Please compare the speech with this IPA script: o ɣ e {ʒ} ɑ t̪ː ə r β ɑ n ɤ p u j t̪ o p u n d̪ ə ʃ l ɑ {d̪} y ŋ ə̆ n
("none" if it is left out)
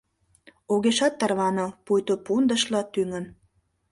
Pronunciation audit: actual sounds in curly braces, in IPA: ʃ, t̪

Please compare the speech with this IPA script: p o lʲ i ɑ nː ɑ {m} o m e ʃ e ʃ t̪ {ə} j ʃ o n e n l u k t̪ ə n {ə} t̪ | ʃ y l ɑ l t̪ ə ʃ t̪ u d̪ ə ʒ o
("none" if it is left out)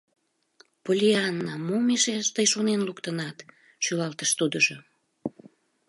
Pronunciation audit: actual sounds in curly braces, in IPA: m, ə, ɑ

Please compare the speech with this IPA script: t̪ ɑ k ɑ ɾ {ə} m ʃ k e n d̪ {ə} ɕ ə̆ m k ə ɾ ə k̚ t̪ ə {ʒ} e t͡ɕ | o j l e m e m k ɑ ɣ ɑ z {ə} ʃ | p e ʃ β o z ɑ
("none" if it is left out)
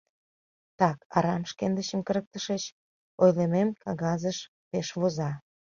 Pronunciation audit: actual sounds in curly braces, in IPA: ɑ, ə, ʃ, ə

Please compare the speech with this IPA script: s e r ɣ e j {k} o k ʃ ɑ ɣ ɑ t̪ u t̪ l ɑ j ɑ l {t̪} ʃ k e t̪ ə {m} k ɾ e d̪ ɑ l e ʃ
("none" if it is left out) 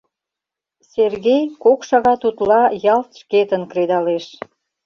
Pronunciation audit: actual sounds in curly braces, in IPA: k, t̪, n

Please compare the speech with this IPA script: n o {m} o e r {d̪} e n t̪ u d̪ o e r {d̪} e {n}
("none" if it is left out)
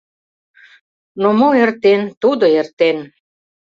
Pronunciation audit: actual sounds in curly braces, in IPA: m, t̪, t̪, n

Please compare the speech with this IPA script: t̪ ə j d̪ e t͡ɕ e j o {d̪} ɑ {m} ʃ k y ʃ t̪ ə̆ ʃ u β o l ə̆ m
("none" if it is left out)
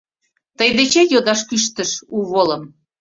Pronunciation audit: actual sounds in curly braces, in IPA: d̪, none

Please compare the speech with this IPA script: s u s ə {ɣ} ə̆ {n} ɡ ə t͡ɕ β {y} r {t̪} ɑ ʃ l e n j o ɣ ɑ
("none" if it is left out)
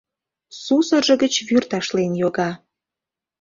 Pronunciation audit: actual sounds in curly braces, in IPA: ʒ, none, y, t̪

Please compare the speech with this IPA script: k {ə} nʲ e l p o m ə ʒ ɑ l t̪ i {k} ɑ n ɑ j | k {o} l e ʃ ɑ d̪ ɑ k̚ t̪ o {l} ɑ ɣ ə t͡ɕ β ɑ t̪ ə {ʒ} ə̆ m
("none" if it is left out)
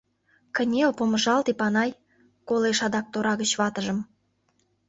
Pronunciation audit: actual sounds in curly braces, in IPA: ə, p, o, ɾ, ʒ

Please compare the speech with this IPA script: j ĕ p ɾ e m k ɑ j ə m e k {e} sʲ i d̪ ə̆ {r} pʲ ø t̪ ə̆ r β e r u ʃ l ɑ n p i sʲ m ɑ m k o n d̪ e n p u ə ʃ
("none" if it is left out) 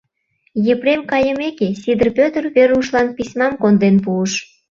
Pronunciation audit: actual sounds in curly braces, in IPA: e, r

